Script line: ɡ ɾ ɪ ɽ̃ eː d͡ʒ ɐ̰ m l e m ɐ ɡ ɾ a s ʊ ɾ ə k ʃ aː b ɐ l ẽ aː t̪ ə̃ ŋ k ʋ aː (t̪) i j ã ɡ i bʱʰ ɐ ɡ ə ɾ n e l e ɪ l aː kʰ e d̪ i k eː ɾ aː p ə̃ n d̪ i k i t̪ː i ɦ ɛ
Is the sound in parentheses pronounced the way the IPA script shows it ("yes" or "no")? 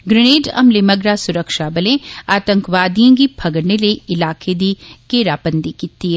no